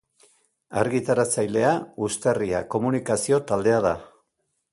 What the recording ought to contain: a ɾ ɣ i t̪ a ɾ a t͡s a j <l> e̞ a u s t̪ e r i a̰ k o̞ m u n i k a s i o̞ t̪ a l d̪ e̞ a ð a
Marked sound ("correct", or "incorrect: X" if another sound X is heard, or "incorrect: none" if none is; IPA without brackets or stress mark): correct